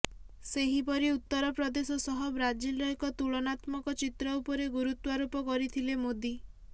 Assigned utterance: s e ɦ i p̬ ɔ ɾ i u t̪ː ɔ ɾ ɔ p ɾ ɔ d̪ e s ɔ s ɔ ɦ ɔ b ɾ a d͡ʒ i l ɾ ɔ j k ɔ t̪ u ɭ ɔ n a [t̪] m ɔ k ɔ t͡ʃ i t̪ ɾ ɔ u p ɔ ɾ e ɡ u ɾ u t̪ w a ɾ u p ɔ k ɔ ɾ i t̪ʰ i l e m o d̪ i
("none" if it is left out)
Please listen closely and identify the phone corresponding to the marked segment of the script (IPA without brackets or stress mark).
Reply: t̪